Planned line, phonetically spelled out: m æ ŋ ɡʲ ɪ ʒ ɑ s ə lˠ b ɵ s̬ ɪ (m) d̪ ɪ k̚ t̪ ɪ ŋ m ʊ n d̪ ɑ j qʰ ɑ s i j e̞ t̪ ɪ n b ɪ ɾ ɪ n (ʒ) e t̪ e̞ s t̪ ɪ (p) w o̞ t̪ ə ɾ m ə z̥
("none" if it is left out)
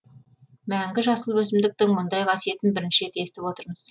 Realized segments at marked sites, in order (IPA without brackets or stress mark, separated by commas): m, ʃ, p